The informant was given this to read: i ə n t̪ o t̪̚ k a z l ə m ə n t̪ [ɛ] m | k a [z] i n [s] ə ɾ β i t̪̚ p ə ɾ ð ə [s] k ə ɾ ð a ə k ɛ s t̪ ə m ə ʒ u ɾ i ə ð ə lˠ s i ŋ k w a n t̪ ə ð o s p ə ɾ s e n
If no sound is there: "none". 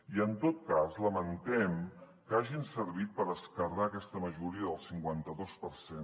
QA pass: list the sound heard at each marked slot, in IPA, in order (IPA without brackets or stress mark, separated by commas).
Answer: ɛ, ʒ, s, s